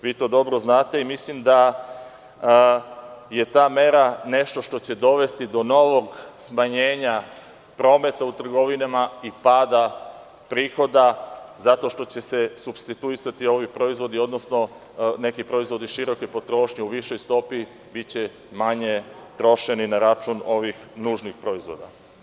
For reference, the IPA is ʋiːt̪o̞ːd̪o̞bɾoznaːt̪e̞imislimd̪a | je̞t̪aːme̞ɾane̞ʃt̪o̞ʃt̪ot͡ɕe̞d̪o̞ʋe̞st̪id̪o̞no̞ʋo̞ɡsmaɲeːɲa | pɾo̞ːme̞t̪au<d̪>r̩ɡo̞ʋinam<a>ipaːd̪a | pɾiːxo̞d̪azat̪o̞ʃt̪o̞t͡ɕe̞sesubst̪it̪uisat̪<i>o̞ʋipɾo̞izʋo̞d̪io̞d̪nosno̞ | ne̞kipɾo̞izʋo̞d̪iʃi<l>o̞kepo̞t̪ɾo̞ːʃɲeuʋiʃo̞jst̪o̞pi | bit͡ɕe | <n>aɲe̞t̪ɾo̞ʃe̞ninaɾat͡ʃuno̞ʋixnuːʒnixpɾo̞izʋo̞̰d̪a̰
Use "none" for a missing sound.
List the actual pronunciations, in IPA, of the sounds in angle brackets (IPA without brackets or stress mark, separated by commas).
t̪, a, i, ɾ, m